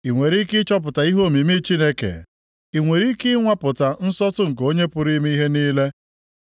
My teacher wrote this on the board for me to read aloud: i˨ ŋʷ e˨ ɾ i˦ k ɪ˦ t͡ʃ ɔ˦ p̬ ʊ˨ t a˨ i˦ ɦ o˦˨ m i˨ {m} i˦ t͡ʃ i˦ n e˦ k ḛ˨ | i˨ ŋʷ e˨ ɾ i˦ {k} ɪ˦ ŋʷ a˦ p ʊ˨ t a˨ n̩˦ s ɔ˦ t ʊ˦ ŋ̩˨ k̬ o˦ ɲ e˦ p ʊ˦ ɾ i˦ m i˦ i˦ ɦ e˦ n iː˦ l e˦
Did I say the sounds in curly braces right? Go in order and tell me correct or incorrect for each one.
correct, correct

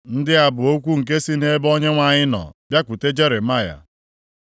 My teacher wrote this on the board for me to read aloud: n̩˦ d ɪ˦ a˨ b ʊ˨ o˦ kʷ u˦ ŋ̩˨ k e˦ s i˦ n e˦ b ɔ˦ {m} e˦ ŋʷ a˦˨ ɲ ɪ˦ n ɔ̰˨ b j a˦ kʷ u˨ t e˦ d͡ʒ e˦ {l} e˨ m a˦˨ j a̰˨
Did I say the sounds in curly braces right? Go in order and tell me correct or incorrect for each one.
incorrect, incorrect

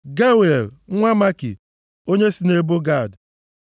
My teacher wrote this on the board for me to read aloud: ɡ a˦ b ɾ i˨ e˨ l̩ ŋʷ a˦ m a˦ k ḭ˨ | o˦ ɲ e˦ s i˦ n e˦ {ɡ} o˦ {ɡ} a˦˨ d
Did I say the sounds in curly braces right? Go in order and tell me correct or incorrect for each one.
incorrect, correct

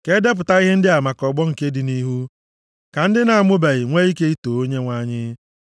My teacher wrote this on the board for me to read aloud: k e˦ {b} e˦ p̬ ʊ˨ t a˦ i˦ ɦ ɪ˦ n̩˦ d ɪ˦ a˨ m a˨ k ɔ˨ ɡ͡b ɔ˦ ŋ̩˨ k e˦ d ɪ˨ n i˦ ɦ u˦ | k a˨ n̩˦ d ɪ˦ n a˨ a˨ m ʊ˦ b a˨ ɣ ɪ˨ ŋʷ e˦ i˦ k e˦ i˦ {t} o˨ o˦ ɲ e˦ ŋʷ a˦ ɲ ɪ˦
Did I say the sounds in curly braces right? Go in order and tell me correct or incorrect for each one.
incorrect, correct

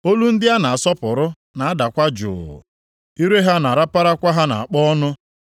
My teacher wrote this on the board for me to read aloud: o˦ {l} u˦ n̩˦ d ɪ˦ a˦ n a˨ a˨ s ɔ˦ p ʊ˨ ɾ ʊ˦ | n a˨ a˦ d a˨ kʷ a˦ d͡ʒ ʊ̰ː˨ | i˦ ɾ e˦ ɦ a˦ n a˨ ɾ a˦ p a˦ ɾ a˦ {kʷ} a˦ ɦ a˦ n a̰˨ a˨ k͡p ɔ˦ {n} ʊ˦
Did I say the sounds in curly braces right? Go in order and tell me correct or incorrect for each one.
correct, correct, correct

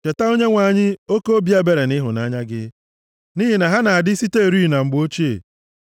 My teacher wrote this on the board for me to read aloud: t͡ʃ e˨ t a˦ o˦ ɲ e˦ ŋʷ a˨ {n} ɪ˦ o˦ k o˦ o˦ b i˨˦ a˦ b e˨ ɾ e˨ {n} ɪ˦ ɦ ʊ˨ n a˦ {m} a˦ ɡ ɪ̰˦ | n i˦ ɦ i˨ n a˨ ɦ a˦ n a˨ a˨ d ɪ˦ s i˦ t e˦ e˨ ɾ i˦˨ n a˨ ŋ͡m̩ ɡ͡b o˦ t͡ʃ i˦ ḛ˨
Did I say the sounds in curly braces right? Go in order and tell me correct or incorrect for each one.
incorrect, correct, incorrect

